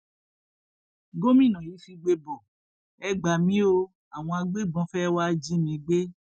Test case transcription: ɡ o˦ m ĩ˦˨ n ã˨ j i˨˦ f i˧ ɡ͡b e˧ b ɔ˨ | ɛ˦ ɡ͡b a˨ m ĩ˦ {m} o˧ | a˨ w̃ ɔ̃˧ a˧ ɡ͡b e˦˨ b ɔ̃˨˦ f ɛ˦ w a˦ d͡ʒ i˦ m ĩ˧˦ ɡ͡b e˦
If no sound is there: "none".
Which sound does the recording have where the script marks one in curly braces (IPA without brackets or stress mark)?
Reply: none